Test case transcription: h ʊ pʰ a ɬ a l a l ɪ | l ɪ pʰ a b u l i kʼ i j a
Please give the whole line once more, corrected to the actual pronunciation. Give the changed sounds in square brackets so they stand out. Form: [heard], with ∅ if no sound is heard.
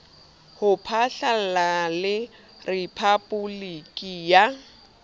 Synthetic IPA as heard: h ʊ pʰ a ɬ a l a l ɪ | [r] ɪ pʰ a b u l i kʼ i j a

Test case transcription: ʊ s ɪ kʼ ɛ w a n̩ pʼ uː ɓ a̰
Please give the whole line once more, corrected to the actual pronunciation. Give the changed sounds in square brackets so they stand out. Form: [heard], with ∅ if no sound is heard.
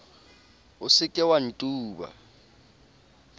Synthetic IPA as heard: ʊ s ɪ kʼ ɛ w a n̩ [tʼ] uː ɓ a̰

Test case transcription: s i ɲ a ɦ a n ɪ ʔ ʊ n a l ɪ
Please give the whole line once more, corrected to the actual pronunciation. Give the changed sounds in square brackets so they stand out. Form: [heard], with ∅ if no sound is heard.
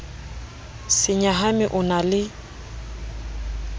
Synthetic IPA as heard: s [ɪ] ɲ a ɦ a [m] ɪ ʔ ʊ n a l ɪ

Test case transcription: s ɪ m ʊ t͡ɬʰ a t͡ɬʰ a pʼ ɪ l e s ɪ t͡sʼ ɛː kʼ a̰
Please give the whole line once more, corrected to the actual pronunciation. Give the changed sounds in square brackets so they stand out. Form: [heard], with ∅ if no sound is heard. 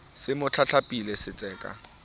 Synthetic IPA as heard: s ɪ m ʊ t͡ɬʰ a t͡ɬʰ a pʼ [i] l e s ɪ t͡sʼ ɛː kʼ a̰

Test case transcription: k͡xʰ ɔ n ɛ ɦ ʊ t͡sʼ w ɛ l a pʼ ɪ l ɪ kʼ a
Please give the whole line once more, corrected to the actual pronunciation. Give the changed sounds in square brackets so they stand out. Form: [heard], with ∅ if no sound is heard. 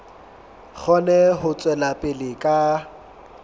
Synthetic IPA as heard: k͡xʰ ɔ n ɛ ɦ ʊ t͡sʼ w ɛ l a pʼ ɪ l ɪ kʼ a

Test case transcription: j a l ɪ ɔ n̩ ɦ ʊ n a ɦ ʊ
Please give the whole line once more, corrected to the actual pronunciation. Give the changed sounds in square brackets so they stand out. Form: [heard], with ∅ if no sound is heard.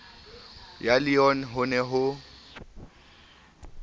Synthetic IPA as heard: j a l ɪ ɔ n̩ ɦ ʊ n [ɛ] ɦ ʊ

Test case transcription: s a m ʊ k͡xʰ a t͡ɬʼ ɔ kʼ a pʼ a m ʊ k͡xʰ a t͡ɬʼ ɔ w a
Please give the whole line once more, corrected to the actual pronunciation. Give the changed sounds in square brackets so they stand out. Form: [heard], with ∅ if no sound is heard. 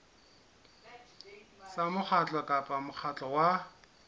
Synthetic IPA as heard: s a m ʊ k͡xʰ a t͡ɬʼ ɔ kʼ a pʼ a m ʊ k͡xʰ a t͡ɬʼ ɔ w a

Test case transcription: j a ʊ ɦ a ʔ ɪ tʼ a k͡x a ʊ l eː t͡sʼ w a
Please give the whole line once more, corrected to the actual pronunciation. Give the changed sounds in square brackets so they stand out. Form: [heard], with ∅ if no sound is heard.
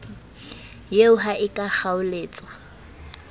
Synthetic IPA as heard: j [e] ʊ ɦ a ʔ ɪ [kʼ] a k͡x a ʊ l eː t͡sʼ w a

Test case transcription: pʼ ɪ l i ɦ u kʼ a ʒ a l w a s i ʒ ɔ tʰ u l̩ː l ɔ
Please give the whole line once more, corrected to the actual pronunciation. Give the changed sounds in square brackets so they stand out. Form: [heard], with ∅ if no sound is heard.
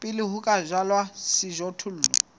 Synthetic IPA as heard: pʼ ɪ l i ɦ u kʼ a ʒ a l w a s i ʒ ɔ tʰ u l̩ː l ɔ

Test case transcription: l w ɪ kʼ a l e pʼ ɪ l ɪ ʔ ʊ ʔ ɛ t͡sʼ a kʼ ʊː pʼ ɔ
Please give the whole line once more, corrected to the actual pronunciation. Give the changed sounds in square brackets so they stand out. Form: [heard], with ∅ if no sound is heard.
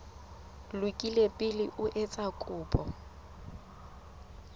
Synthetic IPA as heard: l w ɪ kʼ [i] l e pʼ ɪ l ɪ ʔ ʊ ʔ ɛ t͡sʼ a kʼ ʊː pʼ ɔ

